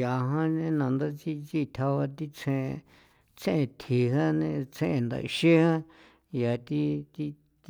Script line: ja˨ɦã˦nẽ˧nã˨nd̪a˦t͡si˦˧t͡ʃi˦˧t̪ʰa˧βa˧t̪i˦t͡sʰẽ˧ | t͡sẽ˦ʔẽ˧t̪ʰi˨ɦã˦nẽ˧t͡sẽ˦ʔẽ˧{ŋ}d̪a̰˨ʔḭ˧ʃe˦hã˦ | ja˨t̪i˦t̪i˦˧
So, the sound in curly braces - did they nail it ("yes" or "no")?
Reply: no